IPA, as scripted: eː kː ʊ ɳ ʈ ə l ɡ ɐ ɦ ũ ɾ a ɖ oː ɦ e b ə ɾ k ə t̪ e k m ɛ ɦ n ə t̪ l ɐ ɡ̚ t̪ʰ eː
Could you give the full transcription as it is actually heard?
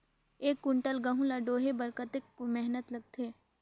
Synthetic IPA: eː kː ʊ ɳ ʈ ə l ɡ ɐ ɦ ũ l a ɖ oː ɦ e b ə ɾ k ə t̪ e k m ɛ ɦ n ə t̪ l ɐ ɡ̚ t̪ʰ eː